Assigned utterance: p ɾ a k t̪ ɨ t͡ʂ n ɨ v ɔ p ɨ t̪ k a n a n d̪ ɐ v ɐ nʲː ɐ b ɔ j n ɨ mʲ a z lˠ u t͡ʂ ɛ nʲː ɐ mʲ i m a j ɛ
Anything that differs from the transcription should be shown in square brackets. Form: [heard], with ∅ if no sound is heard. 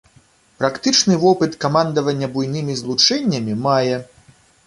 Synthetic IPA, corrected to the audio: p ɾ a k t̪ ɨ t͡ʂ n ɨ v ɔ p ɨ t̪ k a [m] a n d̪ ɐ v ɐ nʲː ɐ b [u] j n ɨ mʲ [i] z lˠ u t͡ʂ ɛ nʲː ɐ mʲ i m a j ɛ